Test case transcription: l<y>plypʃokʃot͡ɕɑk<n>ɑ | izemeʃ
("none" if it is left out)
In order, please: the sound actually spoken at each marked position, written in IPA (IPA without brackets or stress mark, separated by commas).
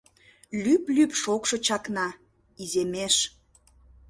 y, n